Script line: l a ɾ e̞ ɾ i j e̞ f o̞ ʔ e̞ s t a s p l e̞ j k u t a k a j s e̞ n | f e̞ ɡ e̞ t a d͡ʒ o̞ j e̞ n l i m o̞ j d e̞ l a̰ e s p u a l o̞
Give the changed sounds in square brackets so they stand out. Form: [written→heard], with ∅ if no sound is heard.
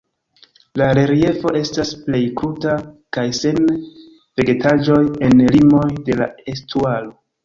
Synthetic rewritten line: l a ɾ e̞ ɾ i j e̞ f o̞ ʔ e̞ s t a s p l e̞ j k u t a k a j s e̞ n | [f→v] e̞ ɡ e̞ t a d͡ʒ o̞ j e̞ n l i m o̞ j d e̞ l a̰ e s [p→t] u a l o̞